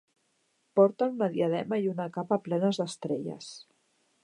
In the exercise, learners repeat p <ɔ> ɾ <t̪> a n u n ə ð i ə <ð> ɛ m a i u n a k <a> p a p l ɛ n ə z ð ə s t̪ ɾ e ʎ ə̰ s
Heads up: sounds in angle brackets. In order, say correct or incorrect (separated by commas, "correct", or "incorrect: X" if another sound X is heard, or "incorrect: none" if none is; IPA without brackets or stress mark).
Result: correct, correct, correct, correct